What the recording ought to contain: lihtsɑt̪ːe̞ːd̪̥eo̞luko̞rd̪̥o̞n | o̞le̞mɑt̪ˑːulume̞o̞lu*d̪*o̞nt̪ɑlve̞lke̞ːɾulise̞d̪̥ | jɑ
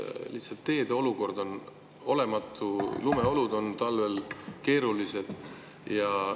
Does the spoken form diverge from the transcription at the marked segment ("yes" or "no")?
no